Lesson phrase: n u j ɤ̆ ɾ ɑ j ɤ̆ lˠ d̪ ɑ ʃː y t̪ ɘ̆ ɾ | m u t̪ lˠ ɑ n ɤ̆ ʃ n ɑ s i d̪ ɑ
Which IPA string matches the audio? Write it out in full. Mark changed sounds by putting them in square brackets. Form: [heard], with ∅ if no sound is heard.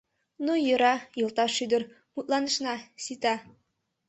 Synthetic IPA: n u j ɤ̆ ɾ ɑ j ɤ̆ lˠ [t̪] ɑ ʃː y [d̪] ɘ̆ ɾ | m u t̪ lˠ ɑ n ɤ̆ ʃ n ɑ s i [t̪] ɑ